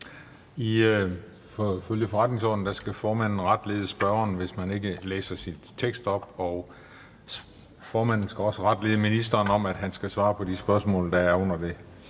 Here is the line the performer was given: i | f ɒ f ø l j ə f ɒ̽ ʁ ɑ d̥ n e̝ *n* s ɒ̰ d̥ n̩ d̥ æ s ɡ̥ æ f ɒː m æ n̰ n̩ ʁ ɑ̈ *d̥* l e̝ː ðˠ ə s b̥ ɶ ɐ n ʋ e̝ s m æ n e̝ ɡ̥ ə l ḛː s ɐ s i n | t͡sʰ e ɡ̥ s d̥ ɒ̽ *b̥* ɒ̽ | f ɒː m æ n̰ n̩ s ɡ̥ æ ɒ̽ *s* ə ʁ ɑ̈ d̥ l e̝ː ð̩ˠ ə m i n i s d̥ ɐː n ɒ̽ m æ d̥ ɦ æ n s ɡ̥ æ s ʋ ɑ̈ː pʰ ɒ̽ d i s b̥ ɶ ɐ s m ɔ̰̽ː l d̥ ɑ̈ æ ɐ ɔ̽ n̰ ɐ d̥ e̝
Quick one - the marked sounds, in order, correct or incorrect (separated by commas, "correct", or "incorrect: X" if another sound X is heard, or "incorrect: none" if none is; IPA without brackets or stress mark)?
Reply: incorrect: ŋ, correct, correct, correct